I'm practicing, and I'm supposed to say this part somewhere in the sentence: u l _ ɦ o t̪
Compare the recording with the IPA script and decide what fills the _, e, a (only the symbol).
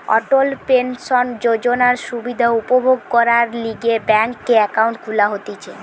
a